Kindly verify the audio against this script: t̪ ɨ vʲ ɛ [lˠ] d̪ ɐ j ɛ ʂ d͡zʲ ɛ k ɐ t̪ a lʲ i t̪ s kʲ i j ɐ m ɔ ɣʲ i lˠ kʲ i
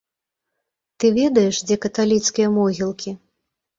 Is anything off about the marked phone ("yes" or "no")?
yes